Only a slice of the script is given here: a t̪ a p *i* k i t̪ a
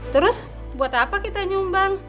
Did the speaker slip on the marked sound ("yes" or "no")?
yes